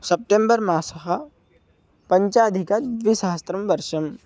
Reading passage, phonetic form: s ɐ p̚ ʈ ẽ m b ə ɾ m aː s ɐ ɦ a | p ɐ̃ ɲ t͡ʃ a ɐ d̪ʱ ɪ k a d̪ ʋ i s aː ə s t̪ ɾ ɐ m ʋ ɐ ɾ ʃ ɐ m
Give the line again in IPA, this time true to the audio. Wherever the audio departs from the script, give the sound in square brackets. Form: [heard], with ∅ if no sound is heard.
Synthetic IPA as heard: s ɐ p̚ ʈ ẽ m b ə ɾ m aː s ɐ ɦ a | p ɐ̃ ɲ t͡ʃ a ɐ d̪ʱ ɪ k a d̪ ʋ i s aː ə s t̪ ɾ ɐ m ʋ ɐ ɾ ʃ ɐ m